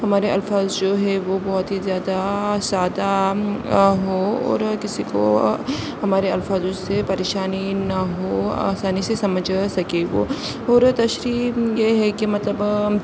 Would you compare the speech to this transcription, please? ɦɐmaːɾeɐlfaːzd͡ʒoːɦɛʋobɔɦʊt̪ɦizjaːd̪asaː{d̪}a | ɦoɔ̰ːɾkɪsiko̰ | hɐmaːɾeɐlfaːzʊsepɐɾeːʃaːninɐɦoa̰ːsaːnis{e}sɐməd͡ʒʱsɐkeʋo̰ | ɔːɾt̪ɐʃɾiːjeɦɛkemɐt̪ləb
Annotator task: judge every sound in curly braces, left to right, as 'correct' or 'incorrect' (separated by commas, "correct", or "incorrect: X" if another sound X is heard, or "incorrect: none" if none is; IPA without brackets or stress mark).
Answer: correct, correct